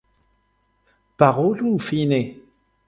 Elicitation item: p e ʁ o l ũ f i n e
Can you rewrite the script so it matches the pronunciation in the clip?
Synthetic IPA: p a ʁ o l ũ f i n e

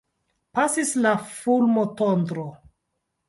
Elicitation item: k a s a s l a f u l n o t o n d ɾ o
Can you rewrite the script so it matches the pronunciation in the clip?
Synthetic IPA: p a s i s l a f u l m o t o n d ɾ o

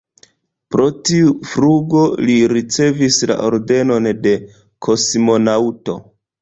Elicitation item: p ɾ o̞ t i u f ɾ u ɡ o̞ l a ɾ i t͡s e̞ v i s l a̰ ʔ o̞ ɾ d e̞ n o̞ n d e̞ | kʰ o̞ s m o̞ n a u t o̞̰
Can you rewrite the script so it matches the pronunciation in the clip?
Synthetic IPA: p ɾ o̞ t i u f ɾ u ɡ o̞ l i ɾ i t͡s e̞ v i s l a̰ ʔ o̞ ɾ d e̞ n o̞ n d e̞ | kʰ o̞ s m o̞ n a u t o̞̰

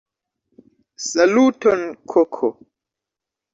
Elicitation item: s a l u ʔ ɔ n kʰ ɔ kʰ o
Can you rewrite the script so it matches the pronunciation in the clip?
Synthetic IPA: s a l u t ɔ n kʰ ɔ kʰ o

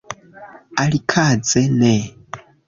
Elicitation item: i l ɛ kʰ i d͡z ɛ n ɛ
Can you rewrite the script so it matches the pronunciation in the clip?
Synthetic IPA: a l i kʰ a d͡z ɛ n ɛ

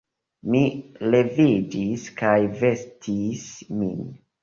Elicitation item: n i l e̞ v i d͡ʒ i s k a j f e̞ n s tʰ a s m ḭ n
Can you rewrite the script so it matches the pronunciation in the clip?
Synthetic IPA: m i l e̞ v i d͡ʒ i s k a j v e̞ s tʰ i s m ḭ n

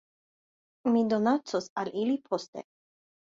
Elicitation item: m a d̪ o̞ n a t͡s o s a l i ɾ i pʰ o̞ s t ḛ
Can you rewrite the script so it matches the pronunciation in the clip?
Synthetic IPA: m i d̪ o̞ n a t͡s o s a l i l i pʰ o̞ s t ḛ

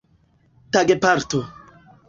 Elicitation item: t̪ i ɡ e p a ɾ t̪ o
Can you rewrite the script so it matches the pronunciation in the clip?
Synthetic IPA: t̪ a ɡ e p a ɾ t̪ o

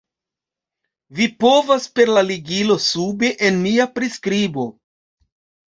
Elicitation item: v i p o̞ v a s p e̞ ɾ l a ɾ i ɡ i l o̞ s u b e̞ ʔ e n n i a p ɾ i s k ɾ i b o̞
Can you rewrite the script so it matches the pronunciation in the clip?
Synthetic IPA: v i p o̞ v a s p e̞ ɾ l a l i ɡ i l o̞ s u b e̞ ʔ e n m i a p ɾ i s k ɾ i b o̞

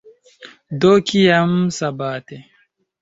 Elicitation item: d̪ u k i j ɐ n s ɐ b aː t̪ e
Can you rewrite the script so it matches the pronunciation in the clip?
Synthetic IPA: d̪ o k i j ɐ m s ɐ b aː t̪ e

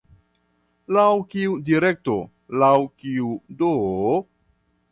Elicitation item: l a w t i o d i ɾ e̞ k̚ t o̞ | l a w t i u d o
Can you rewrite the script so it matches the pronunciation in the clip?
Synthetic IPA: l a w k i u d i ɾ e̞ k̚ t o̞ | l a w k i u d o

